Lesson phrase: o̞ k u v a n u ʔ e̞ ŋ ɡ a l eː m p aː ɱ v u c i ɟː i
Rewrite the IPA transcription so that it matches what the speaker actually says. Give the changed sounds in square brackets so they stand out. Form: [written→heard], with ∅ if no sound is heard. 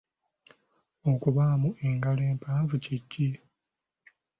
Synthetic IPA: o̞ k u [v→β] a [n→m] u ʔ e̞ ŋ ɡ a l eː m p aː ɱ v u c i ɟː i